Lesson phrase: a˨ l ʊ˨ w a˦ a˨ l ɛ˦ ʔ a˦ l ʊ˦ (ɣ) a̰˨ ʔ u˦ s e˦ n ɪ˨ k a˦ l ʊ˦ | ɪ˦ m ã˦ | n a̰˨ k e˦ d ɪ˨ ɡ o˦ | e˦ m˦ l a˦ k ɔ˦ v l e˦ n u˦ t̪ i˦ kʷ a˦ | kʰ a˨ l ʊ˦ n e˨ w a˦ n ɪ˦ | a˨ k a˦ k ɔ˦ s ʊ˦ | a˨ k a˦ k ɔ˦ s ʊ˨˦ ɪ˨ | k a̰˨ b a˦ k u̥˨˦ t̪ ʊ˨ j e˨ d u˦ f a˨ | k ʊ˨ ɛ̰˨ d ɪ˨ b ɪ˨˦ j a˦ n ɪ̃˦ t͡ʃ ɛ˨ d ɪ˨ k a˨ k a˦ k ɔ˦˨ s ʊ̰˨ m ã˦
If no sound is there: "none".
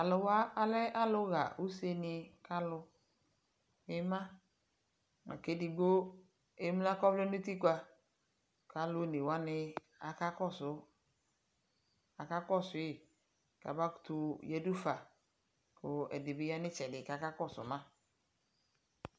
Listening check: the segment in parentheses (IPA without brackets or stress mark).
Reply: ɣ